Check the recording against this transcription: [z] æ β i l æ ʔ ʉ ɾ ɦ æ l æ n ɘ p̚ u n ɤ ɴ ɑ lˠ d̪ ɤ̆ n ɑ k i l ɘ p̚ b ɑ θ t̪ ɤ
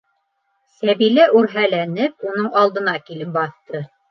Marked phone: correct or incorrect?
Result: incorrect